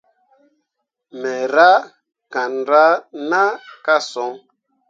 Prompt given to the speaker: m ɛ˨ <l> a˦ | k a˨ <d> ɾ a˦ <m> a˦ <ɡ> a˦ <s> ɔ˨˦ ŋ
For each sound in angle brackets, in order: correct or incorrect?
incorrect: ɾ, incorrect: n, incorrect: n, incorrect: k, correct

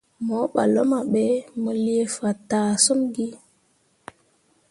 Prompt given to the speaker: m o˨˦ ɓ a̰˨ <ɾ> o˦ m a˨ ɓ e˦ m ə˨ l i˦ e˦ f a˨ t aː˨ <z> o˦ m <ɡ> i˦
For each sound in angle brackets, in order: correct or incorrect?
incorrect: l, incorrect: s, correct

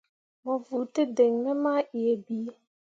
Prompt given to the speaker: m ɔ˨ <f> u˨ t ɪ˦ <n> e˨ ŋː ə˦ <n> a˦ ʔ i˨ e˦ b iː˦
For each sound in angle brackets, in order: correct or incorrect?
incorrect: v, incorrect: d, incorrect: m

